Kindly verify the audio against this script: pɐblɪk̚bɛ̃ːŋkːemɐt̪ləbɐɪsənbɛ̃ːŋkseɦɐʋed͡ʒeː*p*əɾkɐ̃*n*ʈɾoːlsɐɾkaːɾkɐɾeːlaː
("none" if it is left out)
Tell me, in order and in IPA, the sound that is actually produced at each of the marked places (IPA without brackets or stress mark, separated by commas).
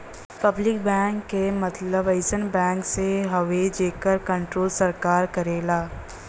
k, ɳ